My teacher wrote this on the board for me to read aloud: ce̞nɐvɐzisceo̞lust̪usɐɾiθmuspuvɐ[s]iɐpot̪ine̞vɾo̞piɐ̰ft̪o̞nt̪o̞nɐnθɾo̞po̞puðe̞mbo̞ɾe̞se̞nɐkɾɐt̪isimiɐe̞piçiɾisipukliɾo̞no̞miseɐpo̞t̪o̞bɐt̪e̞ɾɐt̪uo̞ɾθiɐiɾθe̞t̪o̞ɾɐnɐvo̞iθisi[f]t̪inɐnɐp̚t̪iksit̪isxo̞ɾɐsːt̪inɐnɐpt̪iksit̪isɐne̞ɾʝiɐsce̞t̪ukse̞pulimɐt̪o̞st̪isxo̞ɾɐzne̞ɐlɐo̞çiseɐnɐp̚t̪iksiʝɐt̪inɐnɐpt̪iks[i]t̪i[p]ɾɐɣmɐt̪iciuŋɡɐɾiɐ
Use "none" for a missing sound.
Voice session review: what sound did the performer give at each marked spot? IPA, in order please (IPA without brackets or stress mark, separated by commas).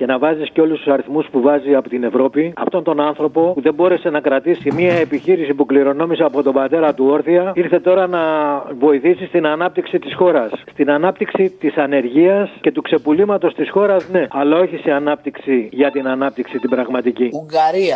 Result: z, s, i, b